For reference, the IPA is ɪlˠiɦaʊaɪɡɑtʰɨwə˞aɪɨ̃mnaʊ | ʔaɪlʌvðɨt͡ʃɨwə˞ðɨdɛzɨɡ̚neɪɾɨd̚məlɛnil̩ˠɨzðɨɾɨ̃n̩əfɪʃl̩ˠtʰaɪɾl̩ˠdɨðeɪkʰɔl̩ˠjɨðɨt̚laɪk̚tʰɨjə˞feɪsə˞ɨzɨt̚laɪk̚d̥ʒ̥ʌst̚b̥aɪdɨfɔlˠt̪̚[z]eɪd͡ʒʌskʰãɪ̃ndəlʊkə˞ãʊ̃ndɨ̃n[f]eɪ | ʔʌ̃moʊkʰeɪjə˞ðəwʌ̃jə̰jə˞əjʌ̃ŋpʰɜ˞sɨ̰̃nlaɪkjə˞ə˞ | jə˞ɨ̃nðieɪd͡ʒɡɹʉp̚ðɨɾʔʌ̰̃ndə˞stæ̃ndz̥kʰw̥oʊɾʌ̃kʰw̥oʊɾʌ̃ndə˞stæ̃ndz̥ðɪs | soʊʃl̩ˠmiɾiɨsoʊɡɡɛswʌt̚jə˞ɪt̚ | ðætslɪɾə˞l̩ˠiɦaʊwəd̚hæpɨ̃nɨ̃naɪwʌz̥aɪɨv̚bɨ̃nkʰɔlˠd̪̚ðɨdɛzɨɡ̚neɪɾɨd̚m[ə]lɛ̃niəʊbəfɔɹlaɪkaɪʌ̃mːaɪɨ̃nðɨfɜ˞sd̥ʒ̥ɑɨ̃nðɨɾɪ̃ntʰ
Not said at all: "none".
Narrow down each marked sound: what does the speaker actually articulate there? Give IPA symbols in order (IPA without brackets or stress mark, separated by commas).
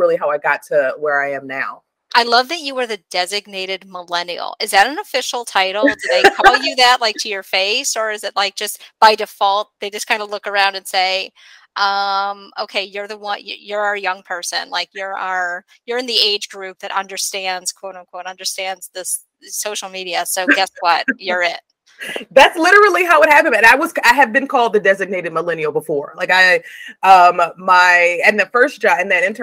ð, s, ə